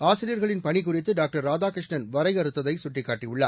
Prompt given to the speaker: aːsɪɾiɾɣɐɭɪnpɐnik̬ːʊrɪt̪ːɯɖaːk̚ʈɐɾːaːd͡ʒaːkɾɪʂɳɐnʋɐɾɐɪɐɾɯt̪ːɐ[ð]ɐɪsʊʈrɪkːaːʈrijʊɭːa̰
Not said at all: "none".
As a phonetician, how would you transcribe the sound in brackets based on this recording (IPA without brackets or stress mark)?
ð